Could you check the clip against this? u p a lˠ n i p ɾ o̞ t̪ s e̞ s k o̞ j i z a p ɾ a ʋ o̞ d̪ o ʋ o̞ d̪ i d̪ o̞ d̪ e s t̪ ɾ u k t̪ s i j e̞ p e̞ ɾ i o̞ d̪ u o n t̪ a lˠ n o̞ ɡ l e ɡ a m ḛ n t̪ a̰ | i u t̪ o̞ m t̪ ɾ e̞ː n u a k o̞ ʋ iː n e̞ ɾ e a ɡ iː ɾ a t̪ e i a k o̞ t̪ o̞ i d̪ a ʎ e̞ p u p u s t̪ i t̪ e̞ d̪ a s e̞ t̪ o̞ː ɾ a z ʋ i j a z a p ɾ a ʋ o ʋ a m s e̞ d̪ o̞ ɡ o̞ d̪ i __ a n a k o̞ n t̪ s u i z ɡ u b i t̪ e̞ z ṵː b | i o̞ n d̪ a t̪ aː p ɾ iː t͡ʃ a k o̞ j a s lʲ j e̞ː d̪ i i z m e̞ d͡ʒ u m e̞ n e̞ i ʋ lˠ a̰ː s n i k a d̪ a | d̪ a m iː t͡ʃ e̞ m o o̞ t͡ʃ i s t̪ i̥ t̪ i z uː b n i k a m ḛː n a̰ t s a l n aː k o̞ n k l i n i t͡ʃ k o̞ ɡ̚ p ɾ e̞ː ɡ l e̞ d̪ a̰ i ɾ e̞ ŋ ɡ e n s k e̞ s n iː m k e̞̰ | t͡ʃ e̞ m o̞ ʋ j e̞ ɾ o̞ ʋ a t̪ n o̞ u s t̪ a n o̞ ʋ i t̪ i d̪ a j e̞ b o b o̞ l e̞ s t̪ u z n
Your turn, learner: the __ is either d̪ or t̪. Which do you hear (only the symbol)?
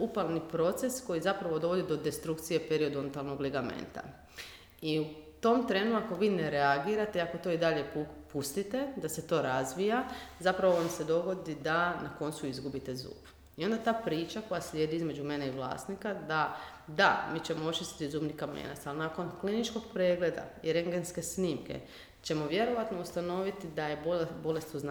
d̪